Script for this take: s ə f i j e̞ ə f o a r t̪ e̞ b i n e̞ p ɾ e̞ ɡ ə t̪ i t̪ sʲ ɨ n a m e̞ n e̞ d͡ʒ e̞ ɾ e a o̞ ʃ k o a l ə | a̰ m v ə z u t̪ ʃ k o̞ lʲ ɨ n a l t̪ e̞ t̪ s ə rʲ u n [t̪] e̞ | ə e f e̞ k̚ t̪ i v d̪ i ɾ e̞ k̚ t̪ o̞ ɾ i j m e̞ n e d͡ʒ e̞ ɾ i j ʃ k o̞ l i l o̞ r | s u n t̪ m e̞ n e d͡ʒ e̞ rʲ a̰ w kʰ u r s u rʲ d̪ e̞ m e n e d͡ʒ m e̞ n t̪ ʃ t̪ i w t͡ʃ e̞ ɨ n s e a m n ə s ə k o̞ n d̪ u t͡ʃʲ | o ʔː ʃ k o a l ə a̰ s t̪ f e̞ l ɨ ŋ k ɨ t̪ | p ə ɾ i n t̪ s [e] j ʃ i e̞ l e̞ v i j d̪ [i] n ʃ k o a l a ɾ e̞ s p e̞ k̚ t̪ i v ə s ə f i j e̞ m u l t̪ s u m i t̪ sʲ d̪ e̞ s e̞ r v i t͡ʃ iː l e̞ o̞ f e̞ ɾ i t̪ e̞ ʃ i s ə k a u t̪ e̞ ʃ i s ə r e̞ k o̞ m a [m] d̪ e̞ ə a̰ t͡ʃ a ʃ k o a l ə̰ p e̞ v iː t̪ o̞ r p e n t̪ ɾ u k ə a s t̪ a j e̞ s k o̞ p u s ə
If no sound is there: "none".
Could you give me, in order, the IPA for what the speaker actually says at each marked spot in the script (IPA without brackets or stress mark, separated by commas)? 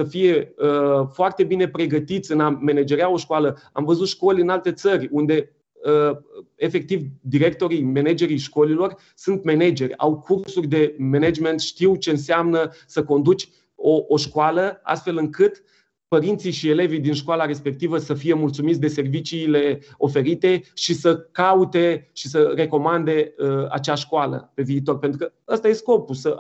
d̪, i, i, n